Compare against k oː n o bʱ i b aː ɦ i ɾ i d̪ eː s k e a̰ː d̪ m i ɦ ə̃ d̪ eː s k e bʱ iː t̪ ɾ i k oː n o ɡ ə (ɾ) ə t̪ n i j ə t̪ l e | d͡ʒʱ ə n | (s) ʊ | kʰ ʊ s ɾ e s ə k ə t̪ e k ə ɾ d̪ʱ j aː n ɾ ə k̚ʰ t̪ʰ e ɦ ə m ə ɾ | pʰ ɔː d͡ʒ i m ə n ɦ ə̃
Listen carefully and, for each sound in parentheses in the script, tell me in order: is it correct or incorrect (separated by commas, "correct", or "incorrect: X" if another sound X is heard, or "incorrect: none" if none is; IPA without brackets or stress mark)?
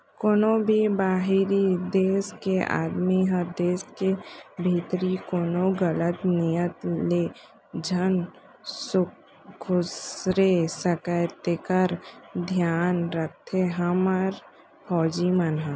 incorrect: l, correct